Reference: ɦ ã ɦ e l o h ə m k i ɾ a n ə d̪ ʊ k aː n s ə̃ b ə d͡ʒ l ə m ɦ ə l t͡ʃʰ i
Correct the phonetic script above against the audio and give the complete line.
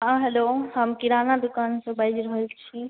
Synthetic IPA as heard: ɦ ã ɦ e l o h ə m k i ɾ a n a d̪ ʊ k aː n s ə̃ b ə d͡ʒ ɾ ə ɦ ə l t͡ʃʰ i